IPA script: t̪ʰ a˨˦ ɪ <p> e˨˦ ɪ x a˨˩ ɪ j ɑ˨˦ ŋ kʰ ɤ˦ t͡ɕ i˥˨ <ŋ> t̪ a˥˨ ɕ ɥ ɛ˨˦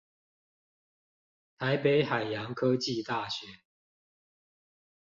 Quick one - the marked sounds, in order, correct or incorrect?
correct, incorrect

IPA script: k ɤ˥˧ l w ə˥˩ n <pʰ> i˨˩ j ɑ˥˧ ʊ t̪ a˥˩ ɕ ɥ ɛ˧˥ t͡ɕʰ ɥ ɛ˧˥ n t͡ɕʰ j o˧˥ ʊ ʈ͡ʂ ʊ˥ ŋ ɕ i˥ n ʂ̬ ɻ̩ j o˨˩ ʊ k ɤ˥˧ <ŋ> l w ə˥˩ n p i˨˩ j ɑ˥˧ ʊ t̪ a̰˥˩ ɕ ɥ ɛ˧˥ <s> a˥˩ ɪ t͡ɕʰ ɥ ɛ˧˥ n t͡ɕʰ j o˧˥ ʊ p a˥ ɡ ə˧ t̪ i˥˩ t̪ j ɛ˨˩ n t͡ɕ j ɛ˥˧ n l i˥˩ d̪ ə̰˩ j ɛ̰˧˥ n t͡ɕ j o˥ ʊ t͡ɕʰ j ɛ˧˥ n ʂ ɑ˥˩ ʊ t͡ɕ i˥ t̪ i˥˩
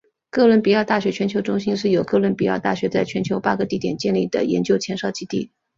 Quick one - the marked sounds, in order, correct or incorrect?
incorrect, incorrect, incorrect

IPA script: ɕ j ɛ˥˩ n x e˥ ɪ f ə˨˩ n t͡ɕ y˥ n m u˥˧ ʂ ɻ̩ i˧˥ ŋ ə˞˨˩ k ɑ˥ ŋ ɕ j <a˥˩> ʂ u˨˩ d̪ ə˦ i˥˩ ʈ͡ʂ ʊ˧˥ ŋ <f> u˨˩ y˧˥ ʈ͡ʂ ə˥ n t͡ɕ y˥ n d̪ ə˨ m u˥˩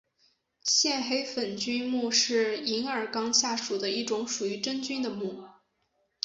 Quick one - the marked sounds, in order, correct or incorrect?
correct, incorrect

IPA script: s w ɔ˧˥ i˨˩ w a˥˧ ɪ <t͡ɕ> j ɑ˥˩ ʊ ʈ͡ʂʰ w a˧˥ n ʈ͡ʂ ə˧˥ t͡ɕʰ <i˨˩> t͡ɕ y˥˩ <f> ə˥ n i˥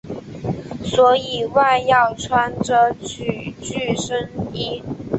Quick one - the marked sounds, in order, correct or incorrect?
incorrect, incorrect, incorrect

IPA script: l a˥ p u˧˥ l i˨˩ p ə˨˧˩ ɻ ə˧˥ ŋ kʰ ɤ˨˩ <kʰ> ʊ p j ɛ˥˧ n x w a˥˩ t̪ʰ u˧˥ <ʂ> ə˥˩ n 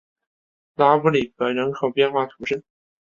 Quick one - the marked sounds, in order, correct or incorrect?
incorrect, correct

